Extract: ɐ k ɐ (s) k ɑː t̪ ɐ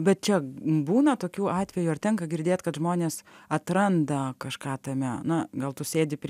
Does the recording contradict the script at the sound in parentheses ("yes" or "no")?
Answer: yes